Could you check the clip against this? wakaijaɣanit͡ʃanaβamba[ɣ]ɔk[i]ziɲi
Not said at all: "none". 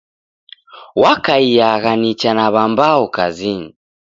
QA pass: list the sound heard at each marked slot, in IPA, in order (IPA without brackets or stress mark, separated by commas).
none, a